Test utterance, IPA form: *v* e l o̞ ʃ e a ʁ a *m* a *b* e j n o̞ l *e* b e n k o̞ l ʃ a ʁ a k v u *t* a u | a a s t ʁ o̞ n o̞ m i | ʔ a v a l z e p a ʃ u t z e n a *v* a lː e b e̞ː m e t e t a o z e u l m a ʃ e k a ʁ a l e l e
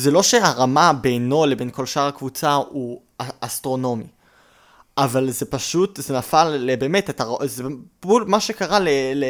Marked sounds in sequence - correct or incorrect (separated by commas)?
incorrect, correct, correct, correct, incorrect, incorrect